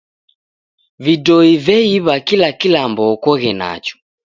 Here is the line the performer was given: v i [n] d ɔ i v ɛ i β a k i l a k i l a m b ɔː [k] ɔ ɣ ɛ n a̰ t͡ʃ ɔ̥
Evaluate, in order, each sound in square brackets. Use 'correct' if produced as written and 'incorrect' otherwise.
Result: incorrect: none, correct

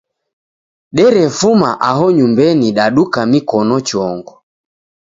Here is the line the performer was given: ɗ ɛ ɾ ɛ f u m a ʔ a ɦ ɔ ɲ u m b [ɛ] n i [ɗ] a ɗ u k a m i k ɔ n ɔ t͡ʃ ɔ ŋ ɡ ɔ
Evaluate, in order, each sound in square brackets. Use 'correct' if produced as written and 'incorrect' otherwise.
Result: correct, correct

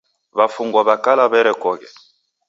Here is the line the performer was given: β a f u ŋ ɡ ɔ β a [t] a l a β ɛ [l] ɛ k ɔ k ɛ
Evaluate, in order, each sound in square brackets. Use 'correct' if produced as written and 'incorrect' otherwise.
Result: incorrect: k, incorrect: ɾ

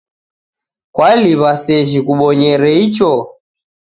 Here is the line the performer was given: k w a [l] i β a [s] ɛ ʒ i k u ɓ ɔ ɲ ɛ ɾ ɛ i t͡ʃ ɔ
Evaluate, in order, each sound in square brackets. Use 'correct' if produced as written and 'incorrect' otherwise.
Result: correct, correct

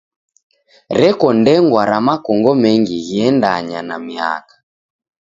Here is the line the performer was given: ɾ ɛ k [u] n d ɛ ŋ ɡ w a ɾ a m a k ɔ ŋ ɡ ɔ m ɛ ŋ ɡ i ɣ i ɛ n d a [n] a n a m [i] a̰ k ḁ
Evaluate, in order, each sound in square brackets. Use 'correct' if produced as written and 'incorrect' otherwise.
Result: incorrect: ɔ, incorrect: ɲ, correct

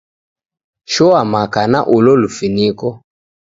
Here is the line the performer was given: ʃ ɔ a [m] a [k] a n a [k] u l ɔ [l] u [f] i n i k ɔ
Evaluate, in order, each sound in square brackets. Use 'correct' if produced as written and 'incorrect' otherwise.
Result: correct, correct, incorrect: ʔ, correct, correct

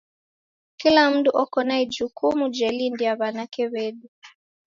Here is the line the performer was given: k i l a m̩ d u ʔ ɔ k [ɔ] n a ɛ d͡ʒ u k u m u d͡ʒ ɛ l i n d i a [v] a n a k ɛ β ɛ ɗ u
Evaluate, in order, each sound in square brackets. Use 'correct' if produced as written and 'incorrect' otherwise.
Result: correct, incorrect: β

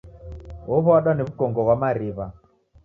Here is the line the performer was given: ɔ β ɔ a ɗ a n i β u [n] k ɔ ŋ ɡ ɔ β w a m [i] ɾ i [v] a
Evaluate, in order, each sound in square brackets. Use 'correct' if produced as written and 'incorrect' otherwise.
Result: incorrect: none, incorrect: a, incorrect: β

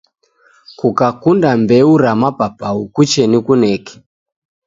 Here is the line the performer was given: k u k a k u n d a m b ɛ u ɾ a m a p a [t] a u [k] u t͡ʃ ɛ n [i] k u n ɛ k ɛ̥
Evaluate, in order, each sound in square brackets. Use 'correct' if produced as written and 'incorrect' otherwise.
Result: incorrect: p, correct, correct

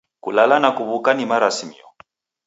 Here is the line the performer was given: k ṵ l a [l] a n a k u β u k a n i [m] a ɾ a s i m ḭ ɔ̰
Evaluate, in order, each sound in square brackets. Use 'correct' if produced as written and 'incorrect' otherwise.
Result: correct, correct

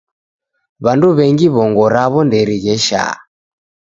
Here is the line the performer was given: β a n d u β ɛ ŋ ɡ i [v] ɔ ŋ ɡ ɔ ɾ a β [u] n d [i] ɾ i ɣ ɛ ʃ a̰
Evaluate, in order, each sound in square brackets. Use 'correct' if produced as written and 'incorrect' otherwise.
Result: incorrect: β, incorrect: ɔ, incorrect: ɛ

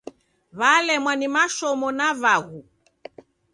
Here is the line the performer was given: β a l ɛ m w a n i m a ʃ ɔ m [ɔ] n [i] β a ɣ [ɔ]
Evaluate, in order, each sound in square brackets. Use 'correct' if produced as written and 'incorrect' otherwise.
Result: correct, incorrect: a, incorrect: u

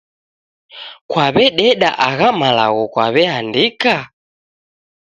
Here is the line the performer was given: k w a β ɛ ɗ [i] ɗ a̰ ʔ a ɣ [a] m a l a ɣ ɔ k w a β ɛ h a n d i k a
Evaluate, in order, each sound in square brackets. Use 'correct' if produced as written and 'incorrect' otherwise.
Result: incorrect: ɛ, correct

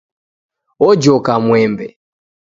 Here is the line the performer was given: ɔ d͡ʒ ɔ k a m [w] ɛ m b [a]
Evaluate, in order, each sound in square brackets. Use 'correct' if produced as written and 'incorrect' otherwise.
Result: correct, incorrect: ɛ

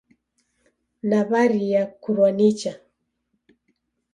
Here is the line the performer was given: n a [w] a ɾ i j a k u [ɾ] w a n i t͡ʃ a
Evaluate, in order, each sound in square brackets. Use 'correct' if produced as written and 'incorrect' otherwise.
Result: incorrect: β, correct

